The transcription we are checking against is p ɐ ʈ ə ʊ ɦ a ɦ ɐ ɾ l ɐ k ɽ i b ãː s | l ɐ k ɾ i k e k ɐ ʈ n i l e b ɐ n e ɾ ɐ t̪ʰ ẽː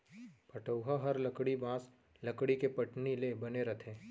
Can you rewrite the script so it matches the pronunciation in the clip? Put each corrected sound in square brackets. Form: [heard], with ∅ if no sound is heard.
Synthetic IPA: p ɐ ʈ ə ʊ ɦ a ɦ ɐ ɾ l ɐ k ɽ i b ãː s | l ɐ k [ɽ] i k e [p] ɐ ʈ n i l e b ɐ n e ɾ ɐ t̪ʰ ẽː